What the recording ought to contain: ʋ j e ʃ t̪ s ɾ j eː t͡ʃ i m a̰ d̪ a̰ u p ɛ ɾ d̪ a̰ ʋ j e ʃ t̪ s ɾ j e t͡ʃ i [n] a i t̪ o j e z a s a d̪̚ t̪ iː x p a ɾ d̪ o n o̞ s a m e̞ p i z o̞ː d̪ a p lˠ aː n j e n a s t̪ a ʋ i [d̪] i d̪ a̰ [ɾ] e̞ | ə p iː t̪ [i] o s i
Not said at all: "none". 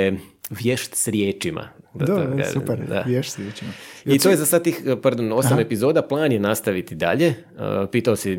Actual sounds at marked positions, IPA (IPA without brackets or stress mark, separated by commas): m, t̪, ʎ, a